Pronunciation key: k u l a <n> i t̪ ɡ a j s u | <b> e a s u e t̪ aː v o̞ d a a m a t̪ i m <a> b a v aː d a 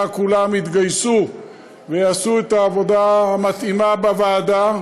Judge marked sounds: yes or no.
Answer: no, no, yes

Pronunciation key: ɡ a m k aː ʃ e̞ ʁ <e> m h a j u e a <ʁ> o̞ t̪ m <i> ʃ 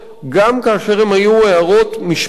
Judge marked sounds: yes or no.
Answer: yes, yes, yes

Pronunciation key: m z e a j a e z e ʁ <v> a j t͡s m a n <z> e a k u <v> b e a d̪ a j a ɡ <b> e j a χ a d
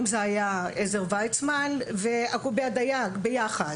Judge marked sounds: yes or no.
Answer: yes, no, no, yes

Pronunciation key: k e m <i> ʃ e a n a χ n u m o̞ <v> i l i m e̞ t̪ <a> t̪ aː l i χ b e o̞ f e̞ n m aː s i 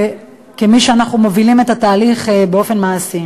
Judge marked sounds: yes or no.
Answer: yes, yes, yes

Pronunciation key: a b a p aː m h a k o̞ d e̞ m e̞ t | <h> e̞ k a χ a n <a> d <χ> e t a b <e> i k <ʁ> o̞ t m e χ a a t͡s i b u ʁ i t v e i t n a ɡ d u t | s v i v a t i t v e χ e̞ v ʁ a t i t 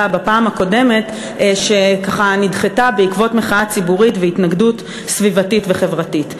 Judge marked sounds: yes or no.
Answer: no, no, yes, yes, no

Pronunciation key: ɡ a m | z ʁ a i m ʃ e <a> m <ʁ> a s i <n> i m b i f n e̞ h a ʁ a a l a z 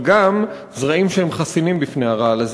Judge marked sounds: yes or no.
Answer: no, no, yes

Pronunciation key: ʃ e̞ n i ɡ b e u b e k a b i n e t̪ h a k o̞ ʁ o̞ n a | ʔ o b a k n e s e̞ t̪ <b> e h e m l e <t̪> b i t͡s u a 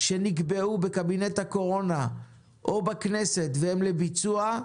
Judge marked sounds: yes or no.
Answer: no, no

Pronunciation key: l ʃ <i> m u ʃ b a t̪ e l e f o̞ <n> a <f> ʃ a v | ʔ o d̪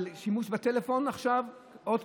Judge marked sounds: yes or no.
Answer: yes, yes, no

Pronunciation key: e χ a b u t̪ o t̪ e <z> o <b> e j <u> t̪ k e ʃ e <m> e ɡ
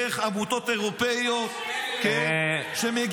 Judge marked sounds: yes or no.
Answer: no, no, no, yes

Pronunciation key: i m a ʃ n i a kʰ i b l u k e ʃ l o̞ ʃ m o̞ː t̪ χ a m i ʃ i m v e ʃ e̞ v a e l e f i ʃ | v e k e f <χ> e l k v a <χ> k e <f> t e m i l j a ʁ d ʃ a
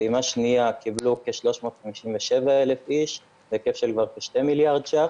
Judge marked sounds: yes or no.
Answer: no, no, no

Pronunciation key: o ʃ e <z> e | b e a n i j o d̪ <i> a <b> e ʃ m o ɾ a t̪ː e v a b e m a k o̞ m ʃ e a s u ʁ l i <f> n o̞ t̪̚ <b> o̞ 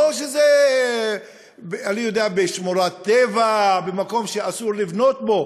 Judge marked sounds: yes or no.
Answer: yes, no, yes, no, yes

